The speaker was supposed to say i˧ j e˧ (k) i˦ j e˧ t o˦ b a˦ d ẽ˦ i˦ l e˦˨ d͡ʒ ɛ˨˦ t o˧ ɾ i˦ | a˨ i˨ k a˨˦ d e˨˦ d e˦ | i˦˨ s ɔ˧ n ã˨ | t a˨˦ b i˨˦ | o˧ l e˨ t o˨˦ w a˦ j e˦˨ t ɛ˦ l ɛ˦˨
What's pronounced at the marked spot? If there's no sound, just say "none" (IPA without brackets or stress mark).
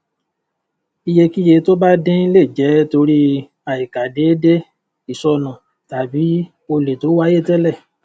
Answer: k